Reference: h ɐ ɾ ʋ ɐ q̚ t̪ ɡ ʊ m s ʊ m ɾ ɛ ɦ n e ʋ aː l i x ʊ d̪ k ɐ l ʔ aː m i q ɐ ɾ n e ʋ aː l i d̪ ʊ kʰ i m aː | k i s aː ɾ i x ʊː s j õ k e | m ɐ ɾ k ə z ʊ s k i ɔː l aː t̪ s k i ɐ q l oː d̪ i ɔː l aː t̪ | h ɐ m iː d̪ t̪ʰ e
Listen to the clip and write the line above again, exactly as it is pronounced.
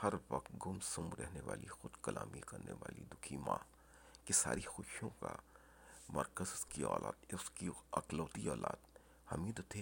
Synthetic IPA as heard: h ɐ ɾ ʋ ɐ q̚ t̪ ɡ ʊ m s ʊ m ɾ ɛ ɦ n e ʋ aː l i x ʊ d̪ k ɐ l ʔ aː m i k ɐ ɾ n e ʋ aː l i d̪ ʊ kʰ i m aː | k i s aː ɾ i x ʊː ʃ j õ k a | m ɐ ɾ k ə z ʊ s k i ɔː l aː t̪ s k i ɐ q l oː t̪ i ɔː l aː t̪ | h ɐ m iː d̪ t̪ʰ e